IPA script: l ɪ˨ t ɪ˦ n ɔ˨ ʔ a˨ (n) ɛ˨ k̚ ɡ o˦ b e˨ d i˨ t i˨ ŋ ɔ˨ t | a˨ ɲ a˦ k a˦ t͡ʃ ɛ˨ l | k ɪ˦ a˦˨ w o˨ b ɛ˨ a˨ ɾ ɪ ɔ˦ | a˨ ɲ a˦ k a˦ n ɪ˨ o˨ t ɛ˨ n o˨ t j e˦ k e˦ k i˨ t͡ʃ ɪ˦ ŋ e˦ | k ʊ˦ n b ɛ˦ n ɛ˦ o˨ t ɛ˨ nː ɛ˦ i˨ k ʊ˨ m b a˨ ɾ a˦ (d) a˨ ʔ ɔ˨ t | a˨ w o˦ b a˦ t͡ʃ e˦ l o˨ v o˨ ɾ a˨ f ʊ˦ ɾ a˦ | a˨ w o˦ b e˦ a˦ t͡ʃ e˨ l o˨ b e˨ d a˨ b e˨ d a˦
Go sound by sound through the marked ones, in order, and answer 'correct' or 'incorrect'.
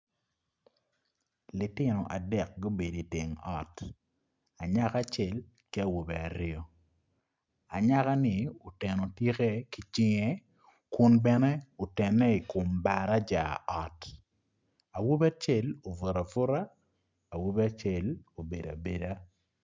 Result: incorrect, incorrect

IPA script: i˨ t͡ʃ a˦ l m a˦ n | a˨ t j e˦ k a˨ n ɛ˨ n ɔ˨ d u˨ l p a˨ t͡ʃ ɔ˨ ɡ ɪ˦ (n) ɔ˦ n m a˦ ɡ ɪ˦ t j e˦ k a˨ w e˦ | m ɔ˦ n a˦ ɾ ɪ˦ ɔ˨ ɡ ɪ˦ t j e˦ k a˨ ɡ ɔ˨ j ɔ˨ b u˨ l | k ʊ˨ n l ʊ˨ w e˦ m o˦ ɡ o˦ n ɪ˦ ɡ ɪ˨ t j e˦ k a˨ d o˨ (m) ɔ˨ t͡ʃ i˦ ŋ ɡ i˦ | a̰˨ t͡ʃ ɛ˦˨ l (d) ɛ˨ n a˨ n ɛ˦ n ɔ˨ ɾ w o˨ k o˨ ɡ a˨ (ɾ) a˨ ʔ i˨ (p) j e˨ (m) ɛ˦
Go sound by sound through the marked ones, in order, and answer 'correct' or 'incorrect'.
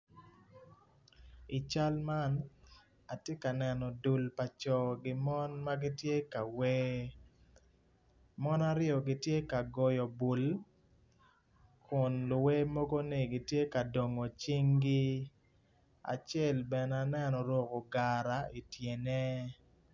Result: incorrect, incorrect, incorrect, correct, incorrect, incorrect

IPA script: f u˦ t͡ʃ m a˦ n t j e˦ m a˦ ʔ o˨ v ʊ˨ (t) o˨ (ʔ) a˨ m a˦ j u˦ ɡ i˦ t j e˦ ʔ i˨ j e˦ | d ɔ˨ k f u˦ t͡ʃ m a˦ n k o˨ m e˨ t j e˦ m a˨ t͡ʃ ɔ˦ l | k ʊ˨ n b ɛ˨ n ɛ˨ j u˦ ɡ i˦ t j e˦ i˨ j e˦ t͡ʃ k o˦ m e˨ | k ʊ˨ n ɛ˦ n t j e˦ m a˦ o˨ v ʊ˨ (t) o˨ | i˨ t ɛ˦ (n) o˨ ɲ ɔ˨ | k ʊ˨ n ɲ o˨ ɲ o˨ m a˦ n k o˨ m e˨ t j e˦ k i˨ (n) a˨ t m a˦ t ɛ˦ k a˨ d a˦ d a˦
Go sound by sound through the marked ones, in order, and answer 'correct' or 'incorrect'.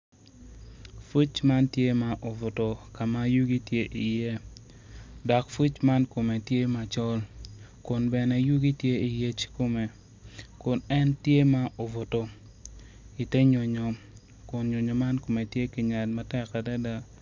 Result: correct, incorrect, correct, incorrect, incorrect

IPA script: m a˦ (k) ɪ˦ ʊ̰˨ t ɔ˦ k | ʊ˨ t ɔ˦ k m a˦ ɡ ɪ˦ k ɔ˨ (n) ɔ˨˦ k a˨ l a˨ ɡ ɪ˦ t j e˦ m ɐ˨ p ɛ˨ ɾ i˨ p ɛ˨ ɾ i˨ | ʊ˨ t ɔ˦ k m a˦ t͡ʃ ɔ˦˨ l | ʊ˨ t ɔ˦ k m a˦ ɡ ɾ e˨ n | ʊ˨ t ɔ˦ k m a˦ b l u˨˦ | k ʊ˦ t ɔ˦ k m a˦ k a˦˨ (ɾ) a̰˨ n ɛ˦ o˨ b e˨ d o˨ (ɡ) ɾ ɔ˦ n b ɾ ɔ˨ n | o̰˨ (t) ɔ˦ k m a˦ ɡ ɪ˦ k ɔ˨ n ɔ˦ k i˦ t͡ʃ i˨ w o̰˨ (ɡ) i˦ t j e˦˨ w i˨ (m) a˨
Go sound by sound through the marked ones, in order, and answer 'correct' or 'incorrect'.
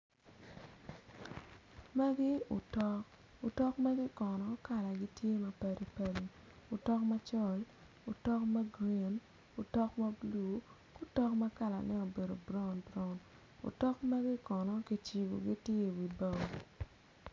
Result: incorrect, correct, incorrect, incorrect, correct, correct, incorrect

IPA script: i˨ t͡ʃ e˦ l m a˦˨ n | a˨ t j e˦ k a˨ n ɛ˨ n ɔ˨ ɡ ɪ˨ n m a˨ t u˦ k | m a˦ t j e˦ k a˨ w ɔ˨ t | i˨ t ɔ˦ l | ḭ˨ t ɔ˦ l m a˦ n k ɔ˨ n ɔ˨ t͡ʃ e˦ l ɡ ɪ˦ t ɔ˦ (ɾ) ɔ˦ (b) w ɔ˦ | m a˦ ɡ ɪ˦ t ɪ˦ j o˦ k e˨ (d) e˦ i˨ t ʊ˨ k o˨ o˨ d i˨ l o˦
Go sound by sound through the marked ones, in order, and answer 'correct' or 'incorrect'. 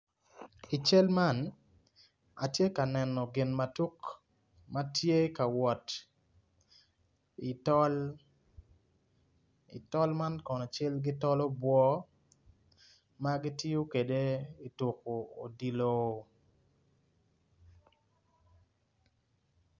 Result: incorrect, correct, correct

